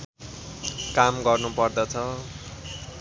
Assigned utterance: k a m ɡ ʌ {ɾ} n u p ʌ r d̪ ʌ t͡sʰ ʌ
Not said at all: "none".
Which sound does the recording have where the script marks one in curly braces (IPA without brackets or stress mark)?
r